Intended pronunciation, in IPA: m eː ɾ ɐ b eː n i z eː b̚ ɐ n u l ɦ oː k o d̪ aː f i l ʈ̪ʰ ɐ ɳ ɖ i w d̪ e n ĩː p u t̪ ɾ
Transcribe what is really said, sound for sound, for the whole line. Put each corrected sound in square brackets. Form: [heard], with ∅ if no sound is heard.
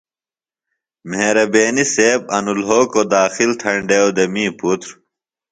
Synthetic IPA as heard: m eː ɾ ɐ b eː n i [s] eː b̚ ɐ n u l ɦ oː k o d̪ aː [x] i l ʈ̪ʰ ɐ ɳ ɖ [e] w d̪ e [m] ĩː p u t̪ ɾ